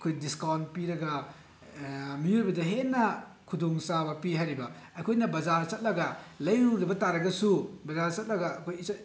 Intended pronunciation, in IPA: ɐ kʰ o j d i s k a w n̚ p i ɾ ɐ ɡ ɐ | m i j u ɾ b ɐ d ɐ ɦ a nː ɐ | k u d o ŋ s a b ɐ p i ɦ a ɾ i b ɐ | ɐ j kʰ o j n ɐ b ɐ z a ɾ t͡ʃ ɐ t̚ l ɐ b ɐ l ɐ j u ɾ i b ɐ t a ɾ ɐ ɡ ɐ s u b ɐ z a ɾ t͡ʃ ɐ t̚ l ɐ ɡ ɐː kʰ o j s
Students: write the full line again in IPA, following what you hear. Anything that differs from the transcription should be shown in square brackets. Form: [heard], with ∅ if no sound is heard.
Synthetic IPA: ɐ kʰ o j d i s k a w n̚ p i ɾ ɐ ɡ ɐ | m i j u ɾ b ɐ d ɐ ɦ [e] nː ɐ | [kʰ] u d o ŋ s a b ɐ p i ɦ a ɾ i b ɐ | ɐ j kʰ o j n ɐ b ɐ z a ɾ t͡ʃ ɐ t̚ l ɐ [ɡ] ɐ l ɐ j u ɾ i b ɐ t a ɾ ɐ ɡ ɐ s u b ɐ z a ɾ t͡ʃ ɐ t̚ l ɐ ɡ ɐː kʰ o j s